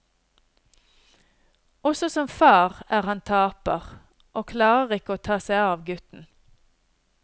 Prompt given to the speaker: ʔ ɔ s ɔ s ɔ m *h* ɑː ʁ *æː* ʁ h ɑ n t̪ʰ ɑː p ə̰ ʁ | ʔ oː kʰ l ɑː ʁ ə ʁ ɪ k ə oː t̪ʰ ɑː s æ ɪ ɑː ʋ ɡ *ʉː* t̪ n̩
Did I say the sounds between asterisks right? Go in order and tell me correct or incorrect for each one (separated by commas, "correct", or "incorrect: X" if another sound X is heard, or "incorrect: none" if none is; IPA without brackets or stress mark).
incorrect: f, correct, incorrect: ʉ